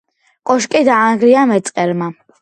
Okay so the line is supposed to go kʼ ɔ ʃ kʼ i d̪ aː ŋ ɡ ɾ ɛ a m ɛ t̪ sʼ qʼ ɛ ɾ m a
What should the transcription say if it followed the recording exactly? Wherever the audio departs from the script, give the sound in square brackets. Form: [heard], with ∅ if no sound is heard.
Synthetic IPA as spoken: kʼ ɔ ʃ kʼ i d̪ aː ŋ ɡ ɾ [i] a m ɛ t̪ sʼ qʼ ɛ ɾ m a